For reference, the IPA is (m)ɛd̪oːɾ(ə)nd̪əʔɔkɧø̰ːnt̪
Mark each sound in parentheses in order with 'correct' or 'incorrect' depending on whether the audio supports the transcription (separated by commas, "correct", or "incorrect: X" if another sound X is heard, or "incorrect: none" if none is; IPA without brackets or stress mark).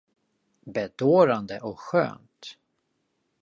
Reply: incorrect: b, incorrect: a